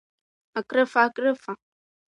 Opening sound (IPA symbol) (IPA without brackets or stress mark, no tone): a